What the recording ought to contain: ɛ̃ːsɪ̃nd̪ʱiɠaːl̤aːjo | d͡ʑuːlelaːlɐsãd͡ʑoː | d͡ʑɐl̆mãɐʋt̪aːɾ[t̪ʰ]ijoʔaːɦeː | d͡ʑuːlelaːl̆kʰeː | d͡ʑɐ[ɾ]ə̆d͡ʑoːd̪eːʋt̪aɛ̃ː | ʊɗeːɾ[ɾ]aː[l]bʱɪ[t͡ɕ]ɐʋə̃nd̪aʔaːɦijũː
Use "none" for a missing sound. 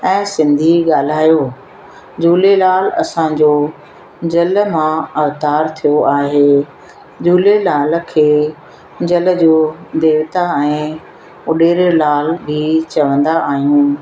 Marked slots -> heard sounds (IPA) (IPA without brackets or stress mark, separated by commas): t̪ʰ, l, l, l, t͡ɕ